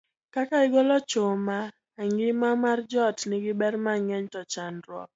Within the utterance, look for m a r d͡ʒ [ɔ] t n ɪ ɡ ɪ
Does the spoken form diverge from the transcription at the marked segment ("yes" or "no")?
no